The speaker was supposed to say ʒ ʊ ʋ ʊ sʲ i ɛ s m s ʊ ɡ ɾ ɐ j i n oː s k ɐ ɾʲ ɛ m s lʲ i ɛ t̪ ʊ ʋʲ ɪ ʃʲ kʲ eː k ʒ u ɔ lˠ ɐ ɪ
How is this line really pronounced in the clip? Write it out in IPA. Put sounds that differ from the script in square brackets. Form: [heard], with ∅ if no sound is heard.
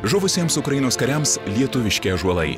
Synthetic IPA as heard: ʒ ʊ ʋ ʊ sʲ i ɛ [∅] m s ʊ [k] ɾ ɐ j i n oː s k ɐ ɾʲ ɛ m s lʲ i ɛ t̪ ʊ ʋʲ ɪ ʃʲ kʲ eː [∅] ʒ u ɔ lˠ ɐ ɪ